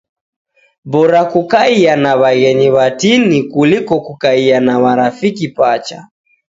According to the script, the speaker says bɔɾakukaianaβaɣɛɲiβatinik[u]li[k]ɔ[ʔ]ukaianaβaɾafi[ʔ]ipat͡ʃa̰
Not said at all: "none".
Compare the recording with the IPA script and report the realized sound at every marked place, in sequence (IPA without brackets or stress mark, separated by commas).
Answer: u, k, k, k